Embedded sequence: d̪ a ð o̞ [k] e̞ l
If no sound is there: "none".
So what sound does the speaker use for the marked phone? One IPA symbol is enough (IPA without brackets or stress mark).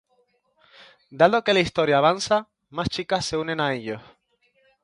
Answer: k